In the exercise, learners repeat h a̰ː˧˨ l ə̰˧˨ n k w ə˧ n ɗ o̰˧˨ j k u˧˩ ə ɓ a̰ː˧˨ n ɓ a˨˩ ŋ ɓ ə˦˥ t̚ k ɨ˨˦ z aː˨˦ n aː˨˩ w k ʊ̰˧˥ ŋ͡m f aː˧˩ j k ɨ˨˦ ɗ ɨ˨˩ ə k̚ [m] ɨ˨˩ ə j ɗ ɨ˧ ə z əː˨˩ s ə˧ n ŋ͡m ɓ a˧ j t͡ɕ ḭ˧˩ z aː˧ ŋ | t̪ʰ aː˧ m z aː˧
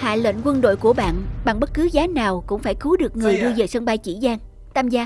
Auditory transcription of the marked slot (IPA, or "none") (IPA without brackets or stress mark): ŋ